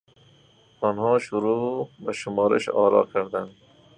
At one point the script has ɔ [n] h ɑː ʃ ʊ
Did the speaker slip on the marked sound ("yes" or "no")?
no